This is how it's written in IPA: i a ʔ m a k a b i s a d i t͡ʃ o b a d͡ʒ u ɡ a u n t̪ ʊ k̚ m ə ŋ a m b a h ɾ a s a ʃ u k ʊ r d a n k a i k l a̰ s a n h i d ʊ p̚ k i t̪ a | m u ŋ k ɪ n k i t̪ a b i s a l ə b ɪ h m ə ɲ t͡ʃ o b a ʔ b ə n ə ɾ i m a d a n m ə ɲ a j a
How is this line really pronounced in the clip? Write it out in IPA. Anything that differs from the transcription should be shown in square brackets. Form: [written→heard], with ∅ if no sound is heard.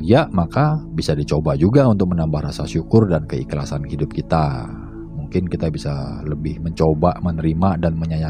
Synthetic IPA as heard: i a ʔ m a k a b i s a d i t͡ʃ o b a d͡ʒ u ɡ a u n t̪ ʊ k̚ m ə [ŋ→n] a m b a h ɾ a s a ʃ u k ʊ r d a n k [a→ə] i k l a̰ s a n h i d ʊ p̚ k i t̪ a | m u ŋ k ɪ n k i t̪ a b i s a l ə b ɪ h m ə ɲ t͡ʃ o b a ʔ [b→m] ə n ə ɾ i m a d a n m ə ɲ a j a